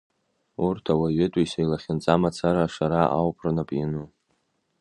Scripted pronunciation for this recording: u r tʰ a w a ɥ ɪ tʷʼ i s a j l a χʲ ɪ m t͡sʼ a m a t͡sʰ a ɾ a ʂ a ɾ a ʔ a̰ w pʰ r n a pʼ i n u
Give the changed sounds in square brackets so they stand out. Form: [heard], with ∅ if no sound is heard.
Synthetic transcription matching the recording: u r tʰ a w a ɥ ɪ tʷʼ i s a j l a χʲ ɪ [n] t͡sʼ a m a t͡sʰ a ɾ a ʂ a ɾ a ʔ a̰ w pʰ r n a pʼ i n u